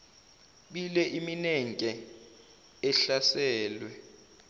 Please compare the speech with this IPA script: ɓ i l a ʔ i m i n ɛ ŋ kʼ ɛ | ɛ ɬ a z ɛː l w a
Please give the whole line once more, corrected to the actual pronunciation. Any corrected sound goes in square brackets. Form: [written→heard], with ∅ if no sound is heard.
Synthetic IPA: ɓ i l [a→ɛ] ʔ i m i n ɛ ŋ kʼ ɛ | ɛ ɬ a [z→s] ɛː l w [a→ɛ]